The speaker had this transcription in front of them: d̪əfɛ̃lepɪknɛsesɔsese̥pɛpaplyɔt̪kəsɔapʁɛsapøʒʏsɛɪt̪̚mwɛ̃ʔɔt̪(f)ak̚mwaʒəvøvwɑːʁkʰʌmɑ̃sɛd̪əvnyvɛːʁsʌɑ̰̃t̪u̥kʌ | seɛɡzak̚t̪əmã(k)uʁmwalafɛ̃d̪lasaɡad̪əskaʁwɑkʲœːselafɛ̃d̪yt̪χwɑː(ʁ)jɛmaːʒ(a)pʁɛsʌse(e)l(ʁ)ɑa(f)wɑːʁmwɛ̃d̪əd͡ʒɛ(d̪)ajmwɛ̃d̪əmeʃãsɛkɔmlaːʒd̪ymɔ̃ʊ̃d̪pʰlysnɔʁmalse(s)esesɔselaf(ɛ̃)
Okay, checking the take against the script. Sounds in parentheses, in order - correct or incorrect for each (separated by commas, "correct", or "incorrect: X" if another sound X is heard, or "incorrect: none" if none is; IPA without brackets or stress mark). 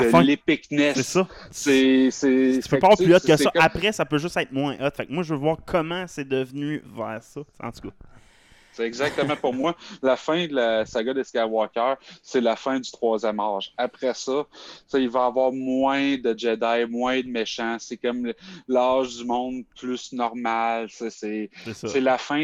correct, incorrect: p, incorrect: z, correct, incorrect: i, incorrect: v, incorrect: v, correct, correct, correct